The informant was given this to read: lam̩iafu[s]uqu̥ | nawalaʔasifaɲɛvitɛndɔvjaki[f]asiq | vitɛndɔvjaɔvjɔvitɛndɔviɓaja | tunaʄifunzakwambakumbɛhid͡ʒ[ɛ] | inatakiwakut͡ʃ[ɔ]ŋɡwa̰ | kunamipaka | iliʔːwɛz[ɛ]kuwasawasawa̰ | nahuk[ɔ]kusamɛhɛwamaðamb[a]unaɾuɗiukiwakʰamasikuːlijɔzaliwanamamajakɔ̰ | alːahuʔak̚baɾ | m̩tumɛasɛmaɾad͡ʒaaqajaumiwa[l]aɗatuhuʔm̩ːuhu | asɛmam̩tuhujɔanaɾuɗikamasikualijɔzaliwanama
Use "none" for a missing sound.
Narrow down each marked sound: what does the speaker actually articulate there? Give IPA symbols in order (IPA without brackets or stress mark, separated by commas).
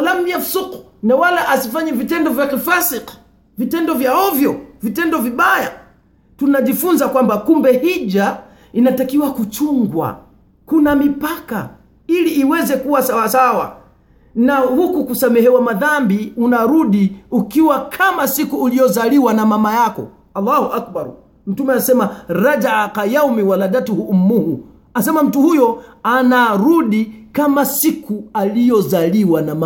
s, f, a, u, ɛ, u, i, l